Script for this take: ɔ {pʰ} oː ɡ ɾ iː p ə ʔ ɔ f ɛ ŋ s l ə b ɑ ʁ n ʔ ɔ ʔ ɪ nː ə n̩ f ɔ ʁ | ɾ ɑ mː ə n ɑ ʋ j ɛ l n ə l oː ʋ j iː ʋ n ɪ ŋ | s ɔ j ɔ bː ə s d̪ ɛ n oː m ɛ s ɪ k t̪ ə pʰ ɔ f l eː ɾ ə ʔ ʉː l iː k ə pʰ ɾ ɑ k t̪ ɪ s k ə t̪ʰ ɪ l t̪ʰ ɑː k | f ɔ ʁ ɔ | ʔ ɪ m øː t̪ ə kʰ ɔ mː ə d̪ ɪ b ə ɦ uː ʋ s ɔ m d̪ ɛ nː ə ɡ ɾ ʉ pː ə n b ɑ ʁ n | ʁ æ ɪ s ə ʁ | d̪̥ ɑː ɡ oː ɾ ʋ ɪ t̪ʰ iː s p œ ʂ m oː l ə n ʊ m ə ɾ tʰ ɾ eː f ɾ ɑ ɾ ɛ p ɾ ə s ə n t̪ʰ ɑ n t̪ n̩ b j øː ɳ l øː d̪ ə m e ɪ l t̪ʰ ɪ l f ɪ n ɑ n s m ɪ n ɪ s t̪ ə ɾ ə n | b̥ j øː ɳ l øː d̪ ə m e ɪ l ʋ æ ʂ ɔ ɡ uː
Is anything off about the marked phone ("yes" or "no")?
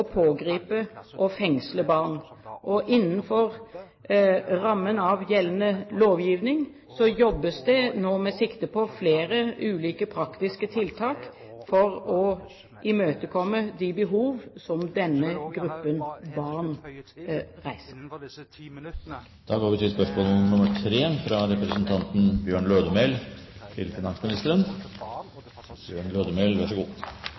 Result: no